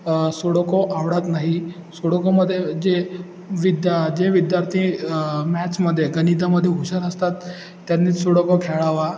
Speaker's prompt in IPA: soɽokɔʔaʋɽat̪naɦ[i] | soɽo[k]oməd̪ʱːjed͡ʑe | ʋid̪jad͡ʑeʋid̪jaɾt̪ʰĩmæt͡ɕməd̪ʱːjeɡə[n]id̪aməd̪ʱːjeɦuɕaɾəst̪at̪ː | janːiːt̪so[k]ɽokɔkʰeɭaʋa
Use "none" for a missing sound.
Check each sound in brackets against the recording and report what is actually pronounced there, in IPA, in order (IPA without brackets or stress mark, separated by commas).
i, k, n, none